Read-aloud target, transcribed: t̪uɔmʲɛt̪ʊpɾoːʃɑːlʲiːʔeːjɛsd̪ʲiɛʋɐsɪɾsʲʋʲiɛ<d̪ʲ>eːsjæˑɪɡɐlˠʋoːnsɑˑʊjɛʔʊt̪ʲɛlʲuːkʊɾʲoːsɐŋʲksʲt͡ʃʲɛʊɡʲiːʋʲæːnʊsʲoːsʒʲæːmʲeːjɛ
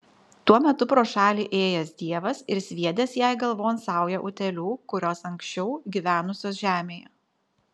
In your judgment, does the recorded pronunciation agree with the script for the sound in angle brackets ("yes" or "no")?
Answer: yes